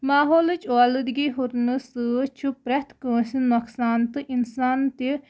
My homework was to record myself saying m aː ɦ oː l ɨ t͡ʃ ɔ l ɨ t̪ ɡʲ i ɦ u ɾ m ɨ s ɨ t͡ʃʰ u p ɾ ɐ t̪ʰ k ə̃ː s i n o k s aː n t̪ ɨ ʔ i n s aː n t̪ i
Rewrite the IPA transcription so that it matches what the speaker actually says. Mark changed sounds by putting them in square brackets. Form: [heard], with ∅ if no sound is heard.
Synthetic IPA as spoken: m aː ɦ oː l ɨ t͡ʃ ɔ l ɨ [d̪] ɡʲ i ɦ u ɾ [n] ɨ s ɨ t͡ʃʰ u p ɾ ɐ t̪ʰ k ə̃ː s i n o k s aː n t̪ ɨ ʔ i n s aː n t̪ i